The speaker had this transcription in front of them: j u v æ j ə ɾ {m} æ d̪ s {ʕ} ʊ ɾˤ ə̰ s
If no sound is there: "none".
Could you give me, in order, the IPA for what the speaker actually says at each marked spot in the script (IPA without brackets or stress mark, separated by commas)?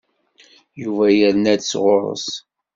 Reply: n, ʁ